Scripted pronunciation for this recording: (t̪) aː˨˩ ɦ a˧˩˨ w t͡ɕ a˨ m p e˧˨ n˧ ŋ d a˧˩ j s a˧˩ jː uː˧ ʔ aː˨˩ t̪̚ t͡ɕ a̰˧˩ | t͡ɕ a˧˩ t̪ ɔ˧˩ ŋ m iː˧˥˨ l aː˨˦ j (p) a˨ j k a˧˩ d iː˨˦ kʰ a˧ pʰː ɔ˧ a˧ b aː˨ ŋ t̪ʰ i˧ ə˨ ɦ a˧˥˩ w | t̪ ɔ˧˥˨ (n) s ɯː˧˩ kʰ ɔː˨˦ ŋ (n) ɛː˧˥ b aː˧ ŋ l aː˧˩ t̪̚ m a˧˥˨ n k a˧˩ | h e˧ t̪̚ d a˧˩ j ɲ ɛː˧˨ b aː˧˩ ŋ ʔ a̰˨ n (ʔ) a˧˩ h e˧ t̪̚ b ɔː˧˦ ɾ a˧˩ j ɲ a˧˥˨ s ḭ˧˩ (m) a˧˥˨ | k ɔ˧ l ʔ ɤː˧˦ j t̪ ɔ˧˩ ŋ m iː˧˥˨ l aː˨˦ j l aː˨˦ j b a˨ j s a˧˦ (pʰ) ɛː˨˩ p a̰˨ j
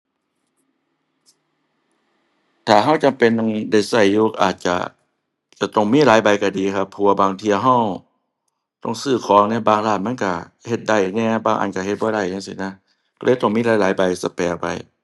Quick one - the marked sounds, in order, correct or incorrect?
incorrect, incorrect, incorrect, correct, incorrect, incorrect, incorrect

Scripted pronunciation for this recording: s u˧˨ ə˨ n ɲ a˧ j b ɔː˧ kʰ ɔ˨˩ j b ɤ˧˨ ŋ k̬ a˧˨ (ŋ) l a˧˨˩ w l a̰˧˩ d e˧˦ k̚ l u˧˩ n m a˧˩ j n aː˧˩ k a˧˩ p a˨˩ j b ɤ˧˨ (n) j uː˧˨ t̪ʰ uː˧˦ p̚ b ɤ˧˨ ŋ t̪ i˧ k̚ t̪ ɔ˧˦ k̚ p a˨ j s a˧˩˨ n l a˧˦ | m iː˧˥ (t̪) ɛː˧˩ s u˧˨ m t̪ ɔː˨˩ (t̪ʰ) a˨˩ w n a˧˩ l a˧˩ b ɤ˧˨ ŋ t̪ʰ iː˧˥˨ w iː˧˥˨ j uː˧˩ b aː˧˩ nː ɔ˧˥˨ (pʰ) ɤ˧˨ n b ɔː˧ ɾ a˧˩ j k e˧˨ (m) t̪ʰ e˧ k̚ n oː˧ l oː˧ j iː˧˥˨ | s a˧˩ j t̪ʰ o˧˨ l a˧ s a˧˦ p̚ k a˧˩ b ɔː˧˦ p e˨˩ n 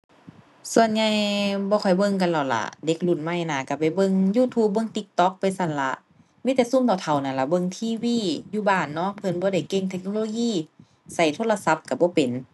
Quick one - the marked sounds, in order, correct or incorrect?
incorrect, incorrect, correct, correct, correct, incorrect

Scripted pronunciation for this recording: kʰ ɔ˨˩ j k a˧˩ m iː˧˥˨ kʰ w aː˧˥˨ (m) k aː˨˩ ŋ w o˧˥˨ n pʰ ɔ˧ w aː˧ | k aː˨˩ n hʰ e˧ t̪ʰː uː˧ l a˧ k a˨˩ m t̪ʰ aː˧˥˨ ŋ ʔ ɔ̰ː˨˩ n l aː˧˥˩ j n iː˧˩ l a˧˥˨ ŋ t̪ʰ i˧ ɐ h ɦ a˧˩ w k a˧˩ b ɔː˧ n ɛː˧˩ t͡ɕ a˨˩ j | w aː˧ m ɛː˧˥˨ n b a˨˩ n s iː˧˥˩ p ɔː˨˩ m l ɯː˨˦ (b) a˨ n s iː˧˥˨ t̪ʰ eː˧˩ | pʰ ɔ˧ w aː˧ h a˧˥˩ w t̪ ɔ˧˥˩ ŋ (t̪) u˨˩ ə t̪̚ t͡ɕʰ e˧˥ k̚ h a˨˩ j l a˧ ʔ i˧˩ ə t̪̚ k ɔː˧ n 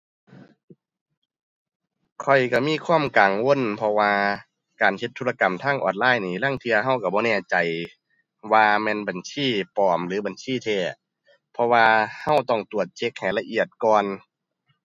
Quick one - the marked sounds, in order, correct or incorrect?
correct, correct, correct

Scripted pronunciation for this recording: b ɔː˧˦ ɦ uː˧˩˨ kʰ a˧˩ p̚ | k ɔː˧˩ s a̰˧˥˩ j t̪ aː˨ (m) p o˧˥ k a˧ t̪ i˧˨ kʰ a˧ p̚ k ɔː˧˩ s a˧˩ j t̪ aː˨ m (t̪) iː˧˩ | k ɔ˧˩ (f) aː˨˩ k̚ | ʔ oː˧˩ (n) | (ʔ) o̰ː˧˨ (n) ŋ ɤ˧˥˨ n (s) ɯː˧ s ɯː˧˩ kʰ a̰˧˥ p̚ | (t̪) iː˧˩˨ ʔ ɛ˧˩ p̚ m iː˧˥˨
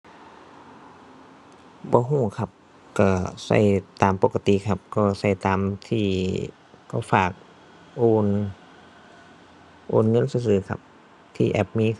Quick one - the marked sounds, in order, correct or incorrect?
correct, incorrect, correct, correct, correct, correct, correct, incorrect

